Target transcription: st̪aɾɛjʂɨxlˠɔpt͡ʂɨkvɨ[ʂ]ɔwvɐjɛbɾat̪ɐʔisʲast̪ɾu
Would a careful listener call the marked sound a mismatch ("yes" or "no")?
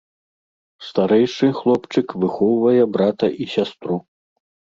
yes